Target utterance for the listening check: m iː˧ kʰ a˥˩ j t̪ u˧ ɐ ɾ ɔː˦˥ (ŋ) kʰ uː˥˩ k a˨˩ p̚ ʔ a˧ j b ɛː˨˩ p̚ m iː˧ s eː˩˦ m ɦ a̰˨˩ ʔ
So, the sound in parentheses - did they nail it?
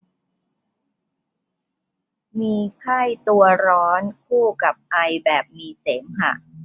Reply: no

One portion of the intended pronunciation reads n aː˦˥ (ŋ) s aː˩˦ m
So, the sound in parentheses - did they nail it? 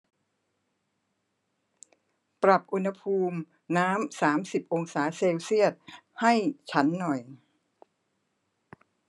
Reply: no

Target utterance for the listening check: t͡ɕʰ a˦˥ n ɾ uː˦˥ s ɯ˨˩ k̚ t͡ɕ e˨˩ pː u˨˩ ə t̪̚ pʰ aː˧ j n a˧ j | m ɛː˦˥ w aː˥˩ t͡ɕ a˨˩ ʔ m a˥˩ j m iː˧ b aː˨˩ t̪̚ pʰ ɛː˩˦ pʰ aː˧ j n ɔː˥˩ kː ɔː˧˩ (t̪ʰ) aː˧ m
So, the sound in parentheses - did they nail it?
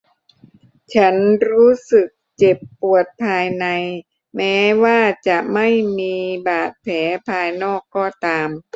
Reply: no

